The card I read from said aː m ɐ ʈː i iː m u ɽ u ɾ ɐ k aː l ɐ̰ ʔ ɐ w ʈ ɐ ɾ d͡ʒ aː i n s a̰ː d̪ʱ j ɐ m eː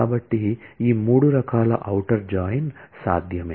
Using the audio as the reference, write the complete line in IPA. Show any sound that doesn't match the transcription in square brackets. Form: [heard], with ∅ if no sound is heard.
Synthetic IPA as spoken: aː [b] ɐ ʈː i iː m [uː] ɽ u ɾ ɐ k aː l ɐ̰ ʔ ɐ w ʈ ɐ ɾ d͡ʒ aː [j] n s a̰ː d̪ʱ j ɐ m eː